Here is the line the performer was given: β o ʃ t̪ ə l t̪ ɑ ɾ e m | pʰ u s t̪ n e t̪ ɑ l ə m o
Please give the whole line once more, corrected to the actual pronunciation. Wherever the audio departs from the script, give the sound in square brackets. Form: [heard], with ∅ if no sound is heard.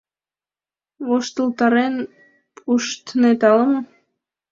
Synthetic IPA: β o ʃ t̪ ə l t̪ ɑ ɾ e [n] | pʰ u [ʃ] t̪ n e t̪ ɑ l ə m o